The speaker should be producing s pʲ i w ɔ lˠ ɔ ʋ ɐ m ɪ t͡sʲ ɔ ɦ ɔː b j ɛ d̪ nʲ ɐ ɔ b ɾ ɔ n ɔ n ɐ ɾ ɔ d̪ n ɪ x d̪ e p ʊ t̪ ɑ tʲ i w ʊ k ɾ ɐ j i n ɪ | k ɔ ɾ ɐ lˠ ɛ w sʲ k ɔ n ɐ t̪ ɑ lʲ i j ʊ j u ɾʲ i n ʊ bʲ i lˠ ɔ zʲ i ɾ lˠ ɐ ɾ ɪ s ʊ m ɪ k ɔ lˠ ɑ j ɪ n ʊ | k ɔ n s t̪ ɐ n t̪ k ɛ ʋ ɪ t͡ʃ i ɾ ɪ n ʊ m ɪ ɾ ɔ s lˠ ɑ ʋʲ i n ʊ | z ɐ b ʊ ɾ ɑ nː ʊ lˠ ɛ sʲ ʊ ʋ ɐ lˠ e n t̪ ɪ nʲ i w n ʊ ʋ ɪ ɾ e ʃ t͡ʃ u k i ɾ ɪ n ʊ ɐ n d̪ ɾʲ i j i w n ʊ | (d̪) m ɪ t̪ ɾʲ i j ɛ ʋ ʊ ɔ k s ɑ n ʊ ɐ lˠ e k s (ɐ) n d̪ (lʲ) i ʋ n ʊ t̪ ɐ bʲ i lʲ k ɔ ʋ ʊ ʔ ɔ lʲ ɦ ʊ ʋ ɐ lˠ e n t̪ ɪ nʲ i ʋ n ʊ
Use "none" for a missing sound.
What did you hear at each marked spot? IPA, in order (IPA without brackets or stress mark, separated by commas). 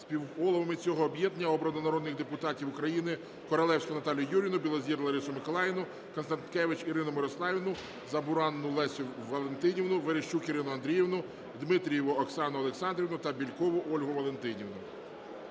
d̪, ɑ, ɾʲ